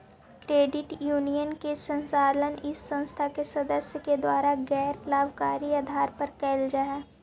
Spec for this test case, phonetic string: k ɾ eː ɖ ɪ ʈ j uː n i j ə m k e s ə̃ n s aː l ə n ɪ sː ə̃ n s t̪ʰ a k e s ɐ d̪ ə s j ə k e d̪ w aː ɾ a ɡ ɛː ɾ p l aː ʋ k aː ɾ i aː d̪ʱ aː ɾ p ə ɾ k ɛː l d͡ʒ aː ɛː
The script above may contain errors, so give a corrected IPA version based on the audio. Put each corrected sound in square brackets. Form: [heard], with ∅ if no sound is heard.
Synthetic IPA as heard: k ɾ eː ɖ ɪ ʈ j uː n i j ə [n] k e s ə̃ n s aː l ə n ɪ sː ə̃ n s t̪ʰ a k e s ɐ d̪ ə s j ə k e d̪ w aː ɾ a ɡ ɛː ɾ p l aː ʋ k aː ɾ i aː d̪ʱ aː ɾ p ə ɾ k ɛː l d͡ʒ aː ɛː